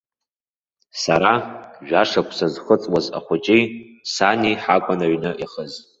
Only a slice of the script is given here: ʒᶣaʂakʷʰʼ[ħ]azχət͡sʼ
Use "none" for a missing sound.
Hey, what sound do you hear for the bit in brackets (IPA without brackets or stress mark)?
s